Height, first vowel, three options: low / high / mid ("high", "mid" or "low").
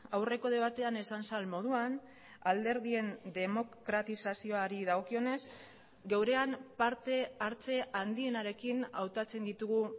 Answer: low